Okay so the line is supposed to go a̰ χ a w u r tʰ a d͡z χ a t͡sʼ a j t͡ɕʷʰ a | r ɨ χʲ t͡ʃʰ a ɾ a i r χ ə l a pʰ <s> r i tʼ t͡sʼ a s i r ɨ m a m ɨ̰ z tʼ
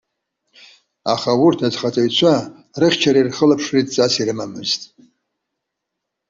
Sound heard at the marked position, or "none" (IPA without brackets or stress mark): ʂ